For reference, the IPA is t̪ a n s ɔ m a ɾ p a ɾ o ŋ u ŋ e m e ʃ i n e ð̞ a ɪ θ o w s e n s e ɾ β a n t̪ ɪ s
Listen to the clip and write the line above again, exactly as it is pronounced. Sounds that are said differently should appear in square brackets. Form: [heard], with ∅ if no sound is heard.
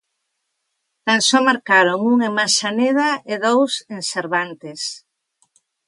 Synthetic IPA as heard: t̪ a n s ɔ m a ɾ [k] a ɾ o ŋ u ŋ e m [a] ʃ [a] n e ð̞ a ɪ [ð] o w s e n s e ɾ β a n t̪ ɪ s